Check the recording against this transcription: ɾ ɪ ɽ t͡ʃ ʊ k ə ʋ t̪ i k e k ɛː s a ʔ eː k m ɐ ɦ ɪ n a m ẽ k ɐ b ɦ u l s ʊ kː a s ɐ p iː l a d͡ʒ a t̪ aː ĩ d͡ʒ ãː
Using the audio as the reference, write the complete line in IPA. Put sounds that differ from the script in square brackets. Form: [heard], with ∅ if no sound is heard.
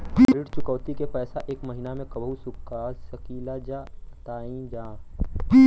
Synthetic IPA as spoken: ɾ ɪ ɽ t͡ʃ ʊ k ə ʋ t̪ i k e [p] ɛː s a ʔ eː k m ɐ ɦ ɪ n a m ẽ k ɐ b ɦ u [∅] s ʊ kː a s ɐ [k] iː l a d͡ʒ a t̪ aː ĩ d͡ʒ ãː

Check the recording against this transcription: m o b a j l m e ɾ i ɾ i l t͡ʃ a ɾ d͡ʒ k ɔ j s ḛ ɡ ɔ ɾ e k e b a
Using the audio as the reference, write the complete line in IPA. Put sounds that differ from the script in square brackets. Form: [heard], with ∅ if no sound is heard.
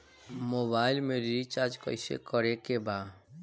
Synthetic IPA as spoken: m o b a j l m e ɾ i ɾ i [∅] t͡ʃ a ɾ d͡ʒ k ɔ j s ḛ [k] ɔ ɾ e k e b a

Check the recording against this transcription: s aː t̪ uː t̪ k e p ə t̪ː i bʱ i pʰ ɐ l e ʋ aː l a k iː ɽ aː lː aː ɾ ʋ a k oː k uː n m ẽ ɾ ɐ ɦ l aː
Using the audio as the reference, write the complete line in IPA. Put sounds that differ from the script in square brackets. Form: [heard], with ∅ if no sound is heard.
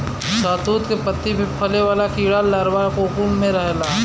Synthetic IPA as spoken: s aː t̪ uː t̪ k e p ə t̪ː i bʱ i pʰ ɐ l e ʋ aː l a k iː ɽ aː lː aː ɾ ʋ a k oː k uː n m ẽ ɾ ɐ ɦ l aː

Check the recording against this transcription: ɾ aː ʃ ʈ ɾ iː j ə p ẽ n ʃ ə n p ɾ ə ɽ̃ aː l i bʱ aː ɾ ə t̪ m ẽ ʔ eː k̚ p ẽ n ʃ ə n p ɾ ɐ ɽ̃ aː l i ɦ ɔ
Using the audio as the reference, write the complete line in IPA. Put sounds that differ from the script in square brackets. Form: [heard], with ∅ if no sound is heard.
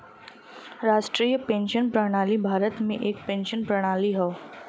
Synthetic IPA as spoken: ɾ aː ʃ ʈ ɾ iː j ə p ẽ n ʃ ə n p ɾ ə ɽ̃ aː l i bʱ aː ɾ ə t̪ m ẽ ʔ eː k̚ p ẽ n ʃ ə n p ɾ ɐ ɽ̃ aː l i ɦ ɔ

